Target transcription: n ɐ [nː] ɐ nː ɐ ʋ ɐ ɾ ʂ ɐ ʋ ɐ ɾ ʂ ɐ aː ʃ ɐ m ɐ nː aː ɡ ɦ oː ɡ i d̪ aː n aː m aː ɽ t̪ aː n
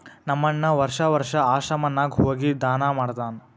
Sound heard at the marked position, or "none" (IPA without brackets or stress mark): mː